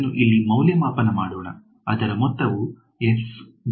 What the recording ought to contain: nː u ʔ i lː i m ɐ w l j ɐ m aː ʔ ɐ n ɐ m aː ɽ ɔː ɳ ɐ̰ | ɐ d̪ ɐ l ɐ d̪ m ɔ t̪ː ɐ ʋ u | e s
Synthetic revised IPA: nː u ʔ i lː i m ɐ w l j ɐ m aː p ɐ n ɐ m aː ɽ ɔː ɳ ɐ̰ | ɐ d̪ ɐ ɾ ɐ m ɔ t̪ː ɐ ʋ u | e s